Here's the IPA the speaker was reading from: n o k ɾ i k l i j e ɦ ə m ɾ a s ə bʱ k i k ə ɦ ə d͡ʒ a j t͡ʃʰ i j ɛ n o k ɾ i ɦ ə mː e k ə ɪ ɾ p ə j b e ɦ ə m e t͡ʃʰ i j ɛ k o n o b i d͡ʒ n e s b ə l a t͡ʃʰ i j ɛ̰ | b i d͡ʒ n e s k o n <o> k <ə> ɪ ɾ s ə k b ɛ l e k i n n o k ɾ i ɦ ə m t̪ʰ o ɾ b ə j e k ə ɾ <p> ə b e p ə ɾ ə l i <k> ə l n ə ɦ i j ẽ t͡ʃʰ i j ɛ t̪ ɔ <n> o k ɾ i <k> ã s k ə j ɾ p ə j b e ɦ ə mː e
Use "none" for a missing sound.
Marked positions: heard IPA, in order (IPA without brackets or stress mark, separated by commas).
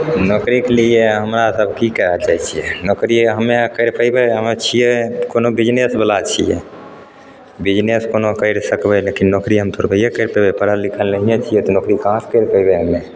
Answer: o, ə, p, kʰ, n, k